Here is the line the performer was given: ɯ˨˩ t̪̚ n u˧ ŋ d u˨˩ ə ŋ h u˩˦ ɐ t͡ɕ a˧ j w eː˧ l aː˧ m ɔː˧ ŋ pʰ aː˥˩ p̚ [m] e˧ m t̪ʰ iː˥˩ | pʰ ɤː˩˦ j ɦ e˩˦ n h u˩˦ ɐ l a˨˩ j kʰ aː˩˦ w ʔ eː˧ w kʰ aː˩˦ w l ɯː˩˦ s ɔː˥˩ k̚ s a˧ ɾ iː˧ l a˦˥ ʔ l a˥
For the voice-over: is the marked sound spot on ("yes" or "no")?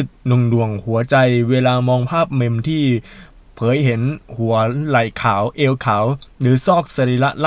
yes